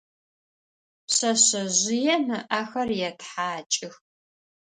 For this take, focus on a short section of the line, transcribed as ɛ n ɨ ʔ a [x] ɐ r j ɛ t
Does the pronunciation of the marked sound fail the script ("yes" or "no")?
no